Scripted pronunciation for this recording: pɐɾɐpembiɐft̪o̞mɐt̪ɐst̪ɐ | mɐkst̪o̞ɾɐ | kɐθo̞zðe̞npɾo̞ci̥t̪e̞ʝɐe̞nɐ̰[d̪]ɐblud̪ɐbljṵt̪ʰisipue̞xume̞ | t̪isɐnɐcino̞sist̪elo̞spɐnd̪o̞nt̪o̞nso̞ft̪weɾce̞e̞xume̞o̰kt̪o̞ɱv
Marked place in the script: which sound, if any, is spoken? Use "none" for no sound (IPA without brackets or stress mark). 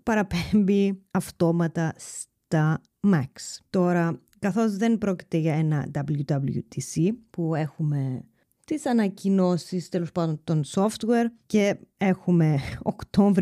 d̪